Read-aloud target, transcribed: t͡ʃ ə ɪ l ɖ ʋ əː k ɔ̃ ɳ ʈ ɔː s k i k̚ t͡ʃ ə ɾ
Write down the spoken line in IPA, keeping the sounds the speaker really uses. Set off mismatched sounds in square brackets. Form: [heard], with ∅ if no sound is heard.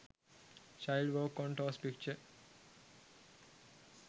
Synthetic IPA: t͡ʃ [a] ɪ l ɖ ʋ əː k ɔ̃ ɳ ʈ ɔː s [p] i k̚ t͡ʃ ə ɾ